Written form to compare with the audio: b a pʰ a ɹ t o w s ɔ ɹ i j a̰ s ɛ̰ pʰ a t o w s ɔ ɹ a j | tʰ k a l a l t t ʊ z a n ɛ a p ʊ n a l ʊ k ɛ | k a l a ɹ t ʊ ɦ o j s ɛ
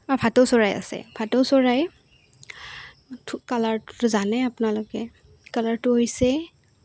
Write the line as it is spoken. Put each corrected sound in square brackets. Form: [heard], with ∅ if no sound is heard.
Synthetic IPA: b a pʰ a [∅] t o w s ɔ ɹ [a] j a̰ s ɛ̰ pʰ a t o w s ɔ ɹ a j | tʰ k a l a [ɹ] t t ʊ z a n ɛ a p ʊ n a l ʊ k ɛ | k a l a ɹ t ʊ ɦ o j s ɛ

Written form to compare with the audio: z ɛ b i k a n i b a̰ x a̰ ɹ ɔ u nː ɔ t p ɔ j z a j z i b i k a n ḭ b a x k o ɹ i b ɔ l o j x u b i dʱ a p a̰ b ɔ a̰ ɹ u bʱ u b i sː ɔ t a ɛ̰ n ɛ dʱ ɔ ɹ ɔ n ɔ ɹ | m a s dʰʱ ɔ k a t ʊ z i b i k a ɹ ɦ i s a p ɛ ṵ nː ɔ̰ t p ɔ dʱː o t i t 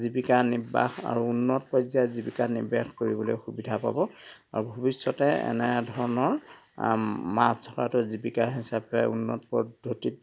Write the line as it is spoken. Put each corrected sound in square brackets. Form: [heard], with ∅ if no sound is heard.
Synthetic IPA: z [i] b i k a n i b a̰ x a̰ ɹ [u] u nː ɔ t p ɔ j z a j z i b i k a n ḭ b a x k o ɹ i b ɔ l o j x u b i dʱ a p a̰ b ɔ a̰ ɹ u bʱ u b i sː ɔ t [ɛ] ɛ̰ n ɛ dʱ ɔ ɹ ɔ n ɔ ɹ | m a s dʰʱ ɔ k a t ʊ z i b i k a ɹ ɦ i s a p ɛ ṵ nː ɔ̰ t p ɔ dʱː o t i t

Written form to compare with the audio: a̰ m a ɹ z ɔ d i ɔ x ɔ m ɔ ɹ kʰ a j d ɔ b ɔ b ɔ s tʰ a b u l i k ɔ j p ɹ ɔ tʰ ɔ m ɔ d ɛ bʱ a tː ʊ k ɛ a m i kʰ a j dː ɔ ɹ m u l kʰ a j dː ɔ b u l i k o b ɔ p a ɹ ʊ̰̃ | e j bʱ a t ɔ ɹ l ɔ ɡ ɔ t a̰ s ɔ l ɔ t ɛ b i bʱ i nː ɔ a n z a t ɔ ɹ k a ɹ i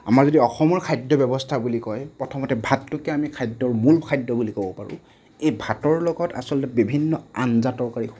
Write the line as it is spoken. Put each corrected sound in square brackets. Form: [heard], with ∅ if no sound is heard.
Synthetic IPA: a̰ m a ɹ z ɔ d i ɔ x ɔ m ɔ ɹ kʰ a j d ɔ b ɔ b ɔ s tʰ a b u l i k ɔ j p ɹ ɔ tʰ ɔ m ɔ [t] ɛ bʱ a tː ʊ k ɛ a m i kʰ a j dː ɔ ɹ m u l kʰ a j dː ɔ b u l i k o b ɔ p a ɹ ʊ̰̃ | e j bʱ a t ɔ ɹ l ɔ ɡ ɔ t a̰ s ɔ l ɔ t ɛ b i bʱ i nː ɔ a n z a t ɔ ɹ k a ɹ i

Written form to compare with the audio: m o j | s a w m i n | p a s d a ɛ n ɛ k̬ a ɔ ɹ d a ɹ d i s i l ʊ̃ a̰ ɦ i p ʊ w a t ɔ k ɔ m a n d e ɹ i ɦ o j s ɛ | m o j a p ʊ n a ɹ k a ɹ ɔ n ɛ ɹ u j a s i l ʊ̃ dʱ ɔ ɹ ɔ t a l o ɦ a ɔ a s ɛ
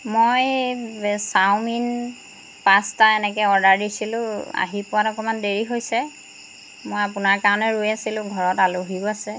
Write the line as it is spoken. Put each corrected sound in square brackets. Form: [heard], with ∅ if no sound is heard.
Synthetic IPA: m o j | s a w m i n | p a s [t] a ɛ n ɛ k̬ [ɛ] ɔ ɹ d a ɹ d i s i l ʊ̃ a̰ ɦ i p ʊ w a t ɔ k ɔ m a n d e ɹ i ɦ o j s ɛ | m o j a p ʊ n a ɹ k a ɹ ɔ n ɛ ɹ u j a s i l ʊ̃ [ɡʱ] ɔ ɹ ɔ t a l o ɦ [i] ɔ a s ɛ

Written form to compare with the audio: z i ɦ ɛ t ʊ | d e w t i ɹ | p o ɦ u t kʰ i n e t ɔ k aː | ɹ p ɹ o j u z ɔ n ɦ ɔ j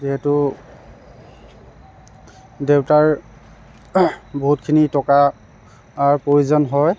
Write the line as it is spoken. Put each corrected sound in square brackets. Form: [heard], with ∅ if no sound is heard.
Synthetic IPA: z i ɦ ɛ t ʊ | d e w t [a] ɹ | [b] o ɦ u t kʰ i n [i] t ɔ k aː | ɹ p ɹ o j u z ɔ n ɦ ɔ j

